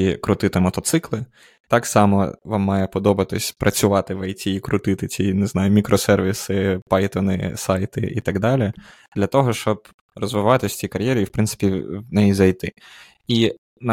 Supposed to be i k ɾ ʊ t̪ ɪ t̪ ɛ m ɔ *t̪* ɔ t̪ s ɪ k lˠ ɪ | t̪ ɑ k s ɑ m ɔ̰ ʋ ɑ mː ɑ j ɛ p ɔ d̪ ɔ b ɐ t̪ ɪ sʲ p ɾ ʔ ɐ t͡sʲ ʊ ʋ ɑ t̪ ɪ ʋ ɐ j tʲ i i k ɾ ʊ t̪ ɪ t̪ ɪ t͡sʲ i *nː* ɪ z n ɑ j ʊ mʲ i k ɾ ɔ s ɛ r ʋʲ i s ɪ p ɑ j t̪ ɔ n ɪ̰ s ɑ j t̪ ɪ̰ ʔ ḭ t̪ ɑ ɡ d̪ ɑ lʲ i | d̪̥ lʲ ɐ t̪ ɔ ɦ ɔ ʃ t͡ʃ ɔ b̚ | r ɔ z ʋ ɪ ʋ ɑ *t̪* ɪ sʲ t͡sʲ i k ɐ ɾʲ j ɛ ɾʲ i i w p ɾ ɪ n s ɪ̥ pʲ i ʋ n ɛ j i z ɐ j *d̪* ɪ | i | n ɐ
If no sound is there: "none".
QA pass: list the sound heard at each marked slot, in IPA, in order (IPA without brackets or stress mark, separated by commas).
t̪, n, t̪, t̪